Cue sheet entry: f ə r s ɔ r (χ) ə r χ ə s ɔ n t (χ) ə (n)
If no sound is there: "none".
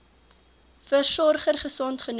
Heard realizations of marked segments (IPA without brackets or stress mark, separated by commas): χ, χ, n